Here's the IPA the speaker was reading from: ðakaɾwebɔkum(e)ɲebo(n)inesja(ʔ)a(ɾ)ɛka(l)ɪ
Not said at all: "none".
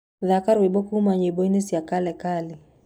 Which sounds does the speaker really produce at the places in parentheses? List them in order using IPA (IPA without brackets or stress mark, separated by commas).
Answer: a, none, k, l, l